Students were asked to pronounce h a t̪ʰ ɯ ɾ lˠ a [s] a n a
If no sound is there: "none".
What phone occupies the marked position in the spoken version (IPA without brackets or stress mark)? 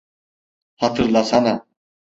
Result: s